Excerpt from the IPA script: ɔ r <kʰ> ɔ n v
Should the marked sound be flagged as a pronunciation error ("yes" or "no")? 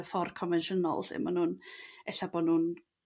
no